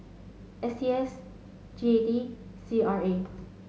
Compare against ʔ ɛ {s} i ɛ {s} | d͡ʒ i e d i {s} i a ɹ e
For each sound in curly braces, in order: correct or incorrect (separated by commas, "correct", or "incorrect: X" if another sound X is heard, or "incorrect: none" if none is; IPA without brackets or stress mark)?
correct, correct, correct